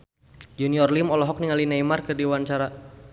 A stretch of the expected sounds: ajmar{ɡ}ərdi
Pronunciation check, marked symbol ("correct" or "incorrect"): incorrect